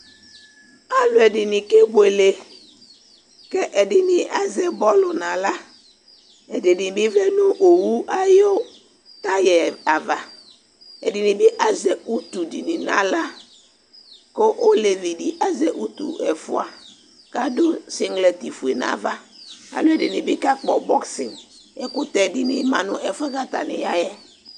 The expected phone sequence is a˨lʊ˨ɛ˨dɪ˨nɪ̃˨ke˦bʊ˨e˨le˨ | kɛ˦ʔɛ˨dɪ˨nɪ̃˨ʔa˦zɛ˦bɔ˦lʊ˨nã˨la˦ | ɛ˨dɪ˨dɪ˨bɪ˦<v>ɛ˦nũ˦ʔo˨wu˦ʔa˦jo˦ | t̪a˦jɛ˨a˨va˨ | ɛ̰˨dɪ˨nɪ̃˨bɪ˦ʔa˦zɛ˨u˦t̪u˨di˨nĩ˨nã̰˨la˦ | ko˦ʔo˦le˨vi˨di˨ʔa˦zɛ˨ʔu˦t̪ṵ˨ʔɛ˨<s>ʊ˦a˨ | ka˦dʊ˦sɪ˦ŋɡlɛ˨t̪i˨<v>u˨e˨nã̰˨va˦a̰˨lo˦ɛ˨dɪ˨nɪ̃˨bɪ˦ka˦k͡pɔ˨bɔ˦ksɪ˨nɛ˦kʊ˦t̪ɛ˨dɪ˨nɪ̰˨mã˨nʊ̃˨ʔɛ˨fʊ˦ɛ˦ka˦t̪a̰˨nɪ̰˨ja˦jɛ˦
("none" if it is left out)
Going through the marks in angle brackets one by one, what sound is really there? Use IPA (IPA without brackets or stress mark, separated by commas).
v, f, f